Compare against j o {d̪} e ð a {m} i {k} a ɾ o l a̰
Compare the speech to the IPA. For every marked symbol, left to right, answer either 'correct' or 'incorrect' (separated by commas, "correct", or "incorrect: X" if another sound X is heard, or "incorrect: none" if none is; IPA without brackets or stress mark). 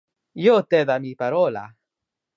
incorrect: t̪, correct, incorrect: p